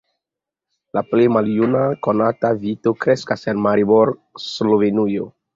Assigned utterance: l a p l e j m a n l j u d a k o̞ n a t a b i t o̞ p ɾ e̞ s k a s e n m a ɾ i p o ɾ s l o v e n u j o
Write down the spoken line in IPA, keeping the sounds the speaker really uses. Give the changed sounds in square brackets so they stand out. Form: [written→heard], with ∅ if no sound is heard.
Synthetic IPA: l a p l e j m a [n→∅] l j u [d→n] a k o̞ n a t a [b→v] i t o̞ [p→k] ɾ e̞ s k a s e n m a ɾ i [p→b] o ɾ s l o v e n u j o